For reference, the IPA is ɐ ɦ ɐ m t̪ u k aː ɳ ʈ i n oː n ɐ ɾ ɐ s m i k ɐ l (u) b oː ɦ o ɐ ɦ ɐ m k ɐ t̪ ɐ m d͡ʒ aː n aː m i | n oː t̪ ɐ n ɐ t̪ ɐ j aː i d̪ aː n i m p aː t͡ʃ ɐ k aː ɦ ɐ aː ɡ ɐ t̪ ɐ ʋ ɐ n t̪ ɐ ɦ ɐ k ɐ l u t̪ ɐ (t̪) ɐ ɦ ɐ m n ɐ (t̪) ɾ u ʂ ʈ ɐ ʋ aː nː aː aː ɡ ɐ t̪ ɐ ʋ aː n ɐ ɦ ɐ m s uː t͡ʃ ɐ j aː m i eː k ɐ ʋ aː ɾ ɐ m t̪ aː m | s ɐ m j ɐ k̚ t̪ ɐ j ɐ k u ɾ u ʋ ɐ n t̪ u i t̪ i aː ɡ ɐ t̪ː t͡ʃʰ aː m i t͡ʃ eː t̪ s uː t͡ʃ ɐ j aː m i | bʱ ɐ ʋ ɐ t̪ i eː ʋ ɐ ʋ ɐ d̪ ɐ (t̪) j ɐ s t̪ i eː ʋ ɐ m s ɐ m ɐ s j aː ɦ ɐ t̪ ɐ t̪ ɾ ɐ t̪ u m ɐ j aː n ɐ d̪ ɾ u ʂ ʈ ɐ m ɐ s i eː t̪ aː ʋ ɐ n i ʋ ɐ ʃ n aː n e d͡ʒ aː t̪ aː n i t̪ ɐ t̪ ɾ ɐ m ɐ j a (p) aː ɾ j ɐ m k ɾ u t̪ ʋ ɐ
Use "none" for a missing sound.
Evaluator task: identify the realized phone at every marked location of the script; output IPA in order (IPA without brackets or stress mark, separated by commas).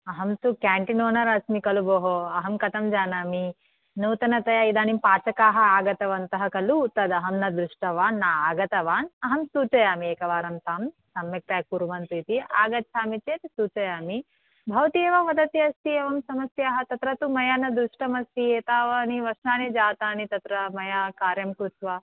u, d̪, d̪, t̪, k